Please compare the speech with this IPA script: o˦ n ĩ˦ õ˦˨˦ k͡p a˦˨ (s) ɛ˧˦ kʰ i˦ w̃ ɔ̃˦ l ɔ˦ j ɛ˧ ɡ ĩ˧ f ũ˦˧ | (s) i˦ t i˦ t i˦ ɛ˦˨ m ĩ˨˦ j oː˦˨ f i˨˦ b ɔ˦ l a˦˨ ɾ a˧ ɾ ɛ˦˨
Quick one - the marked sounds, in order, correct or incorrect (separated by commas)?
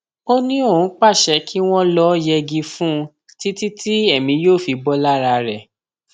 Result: incorrect, incorrect